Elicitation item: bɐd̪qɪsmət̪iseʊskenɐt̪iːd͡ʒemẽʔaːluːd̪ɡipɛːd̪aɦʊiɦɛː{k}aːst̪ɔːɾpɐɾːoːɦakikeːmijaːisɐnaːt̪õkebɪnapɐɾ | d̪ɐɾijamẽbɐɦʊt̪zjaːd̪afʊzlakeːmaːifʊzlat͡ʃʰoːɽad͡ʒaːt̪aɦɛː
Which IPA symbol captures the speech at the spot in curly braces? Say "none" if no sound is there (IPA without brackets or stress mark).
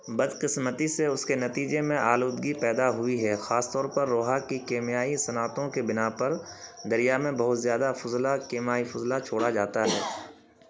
x